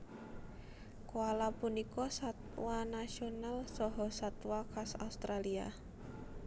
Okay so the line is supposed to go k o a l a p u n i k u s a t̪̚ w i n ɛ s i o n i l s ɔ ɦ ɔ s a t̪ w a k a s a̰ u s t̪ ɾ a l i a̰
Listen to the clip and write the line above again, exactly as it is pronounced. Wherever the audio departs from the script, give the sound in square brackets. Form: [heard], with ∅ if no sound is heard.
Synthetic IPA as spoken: k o a l a p u n i k [ɔ] s a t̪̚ w [a] n [a] s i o n [a] l s ɔ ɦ ɔ s a t̪ w a k a s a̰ u s t̪ ɾ a l i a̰